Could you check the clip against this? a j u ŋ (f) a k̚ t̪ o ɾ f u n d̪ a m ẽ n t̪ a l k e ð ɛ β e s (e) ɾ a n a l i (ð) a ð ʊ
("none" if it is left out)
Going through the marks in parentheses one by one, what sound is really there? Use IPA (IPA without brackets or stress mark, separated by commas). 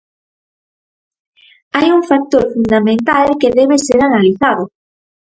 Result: f, e, θ